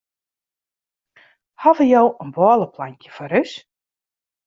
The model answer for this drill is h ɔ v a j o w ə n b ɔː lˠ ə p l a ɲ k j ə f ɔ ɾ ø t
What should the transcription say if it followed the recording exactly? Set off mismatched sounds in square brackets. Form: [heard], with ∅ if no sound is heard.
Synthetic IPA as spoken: h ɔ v [ə] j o w ə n b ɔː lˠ ə p l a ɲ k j ə f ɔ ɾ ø [s]